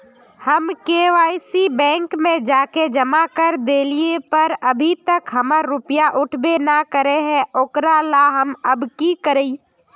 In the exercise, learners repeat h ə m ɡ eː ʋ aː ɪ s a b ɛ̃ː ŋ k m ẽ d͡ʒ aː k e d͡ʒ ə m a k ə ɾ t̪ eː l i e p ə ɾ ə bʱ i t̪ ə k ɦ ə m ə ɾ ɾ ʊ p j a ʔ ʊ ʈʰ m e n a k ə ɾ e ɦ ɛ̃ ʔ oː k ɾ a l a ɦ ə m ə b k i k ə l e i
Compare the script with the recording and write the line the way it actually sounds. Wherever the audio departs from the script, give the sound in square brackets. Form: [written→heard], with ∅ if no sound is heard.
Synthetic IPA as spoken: h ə m [ɡ→k] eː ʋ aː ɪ s [a→i] b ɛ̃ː ŋ k m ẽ d͡ʒ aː k e d͡ʒ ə m a k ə ɾ [t̪→d̪] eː l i e p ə ɾ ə bʱ i t̪ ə k ɦ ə m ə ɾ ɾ ʊ p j a ʔ ʊ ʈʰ [m→b] e n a k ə ɾ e ɦ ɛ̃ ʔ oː k ɾ a l a ɦ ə m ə b k i k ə [l→ɾ] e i